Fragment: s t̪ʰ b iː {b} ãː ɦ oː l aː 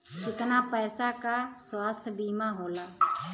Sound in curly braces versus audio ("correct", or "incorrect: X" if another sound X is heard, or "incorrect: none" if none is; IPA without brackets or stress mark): incorrect: m